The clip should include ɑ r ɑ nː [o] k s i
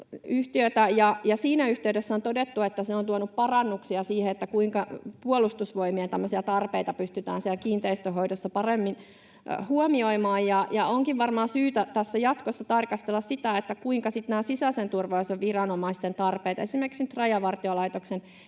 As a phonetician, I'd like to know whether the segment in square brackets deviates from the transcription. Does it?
yes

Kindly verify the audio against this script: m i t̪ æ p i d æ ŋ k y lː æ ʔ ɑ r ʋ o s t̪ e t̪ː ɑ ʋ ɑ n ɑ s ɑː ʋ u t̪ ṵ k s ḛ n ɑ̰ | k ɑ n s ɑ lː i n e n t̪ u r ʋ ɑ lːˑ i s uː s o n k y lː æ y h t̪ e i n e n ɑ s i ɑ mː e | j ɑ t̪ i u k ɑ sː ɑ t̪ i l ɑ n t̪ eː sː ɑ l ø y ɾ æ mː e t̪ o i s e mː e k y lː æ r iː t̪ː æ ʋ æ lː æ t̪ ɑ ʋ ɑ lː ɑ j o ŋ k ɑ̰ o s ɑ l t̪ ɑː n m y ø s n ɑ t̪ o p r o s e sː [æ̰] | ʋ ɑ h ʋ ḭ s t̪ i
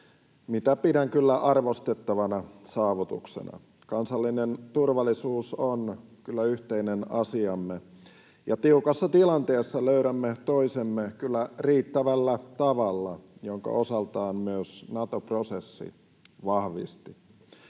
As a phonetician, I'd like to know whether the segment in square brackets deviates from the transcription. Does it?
yes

